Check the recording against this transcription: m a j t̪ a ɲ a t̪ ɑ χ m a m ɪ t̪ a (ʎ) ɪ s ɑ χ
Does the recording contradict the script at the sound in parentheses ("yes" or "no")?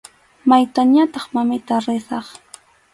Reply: yes